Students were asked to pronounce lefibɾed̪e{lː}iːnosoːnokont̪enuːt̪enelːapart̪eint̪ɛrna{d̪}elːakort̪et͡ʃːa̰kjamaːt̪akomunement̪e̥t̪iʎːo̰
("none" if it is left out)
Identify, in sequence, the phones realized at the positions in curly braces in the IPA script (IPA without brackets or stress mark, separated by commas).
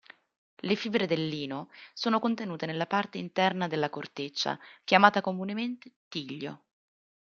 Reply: lː, d̪